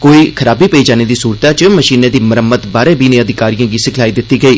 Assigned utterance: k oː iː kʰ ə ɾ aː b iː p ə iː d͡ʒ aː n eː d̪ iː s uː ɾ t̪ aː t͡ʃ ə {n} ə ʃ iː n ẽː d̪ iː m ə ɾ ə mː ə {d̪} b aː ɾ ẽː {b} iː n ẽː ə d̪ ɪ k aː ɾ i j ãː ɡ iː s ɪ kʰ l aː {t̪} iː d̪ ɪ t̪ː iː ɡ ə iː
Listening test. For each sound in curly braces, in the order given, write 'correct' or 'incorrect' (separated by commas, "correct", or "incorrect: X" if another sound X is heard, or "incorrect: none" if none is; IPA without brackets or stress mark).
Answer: incorrect: m, incorrect: t̪, correct, incorrect: none